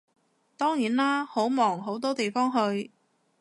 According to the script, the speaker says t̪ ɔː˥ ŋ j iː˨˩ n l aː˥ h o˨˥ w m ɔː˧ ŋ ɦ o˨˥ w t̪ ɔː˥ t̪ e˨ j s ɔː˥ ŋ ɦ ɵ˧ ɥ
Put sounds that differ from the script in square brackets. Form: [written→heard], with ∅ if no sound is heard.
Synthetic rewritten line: t̪ ɔː˥ ŋ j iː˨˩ n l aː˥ h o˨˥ w m [ɔː˧→ɔː˨˩] ŋ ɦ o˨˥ w t̪ ɔː˥ t̪ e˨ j [s→f] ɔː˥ ŋ ɦ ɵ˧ ɥ